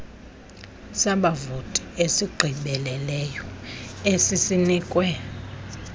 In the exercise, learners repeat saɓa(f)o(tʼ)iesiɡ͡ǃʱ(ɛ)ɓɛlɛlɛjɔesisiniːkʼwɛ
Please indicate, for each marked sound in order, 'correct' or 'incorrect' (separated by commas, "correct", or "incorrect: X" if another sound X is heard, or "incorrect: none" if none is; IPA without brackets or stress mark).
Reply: incorrect: v, correct, incorrect: i